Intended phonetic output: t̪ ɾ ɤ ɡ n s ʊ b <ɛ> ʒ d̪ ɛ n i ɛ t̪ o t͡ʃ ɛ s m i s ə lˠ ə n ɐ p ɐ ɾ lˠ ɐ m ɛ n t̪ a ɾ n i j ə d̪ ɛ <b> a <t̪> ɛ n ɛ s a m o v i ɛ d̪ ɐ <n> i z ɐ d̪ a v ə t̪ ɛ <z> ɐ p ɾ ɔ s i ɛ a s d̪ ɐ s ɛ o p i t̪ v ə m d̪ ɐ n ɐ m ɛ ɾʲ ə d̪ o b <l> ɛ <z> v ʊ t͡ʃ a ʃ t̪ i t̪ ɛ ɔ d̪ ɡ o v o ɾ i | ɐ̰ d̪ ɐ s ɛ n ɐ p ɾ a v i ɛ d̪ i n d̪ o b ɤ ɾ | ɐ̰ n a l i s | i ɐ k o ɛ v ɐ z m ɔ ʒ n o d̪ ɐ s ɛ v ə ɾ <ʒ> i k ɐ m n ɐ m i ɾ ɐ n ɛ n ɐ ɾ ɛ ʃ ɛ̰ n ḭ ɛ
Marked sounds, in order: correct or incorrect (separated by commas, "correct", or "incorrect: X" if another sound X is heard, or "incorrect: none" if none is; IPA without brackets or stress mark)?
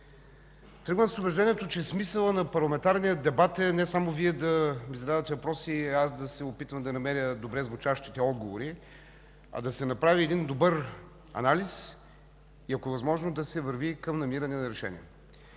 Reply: correct, correct, correct, incorrect: m, incorrect: v, incorrect: ɾ, correct, incorrect: v